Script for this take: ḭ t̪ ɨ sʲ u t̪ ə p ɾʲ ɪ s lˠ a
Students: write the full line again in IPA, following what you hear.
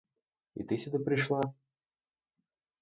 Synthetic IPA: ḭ t̪ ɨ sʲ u d̪ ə p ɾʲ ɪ ʂ lˠ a